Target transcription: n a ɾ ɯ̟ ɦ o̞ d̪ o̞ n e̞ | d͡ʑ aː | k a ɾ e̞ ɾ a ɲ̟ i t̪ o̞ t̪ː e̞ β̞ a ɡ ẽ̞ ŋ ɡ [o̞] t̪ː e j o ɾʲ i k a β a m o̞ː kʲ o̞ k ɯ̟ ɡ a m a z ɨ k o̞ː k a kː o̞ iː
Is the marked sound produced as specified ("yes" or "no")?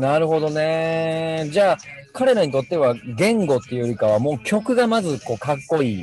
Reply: yes